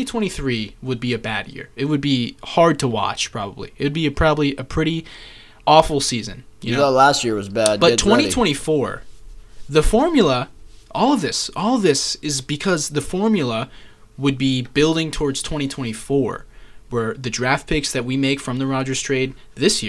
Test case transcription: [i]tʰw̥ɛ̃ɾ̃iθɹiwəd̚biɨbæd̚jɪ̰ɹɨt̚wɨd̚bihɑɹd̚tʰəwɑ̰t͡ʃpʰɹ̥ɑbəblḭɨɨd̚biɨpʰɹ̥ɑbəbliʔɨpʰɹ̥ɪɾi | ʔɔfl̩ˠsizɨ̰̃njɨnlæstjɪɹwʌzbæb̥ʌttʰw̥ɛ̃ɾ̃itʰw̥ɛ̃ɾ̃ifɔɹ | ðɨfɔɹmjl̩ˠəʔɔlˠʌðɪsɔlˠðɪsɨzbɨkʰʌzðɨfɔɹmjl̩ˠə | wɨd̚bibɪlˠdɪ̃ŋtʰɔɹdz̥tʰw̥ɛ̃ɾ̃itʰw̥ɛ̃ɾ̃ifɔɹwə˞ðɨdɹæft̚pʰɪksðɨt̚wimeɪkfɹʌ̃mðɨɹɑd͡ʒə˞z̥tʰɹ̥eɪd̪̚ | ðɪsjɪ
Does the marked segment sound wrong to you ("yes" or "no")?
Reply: no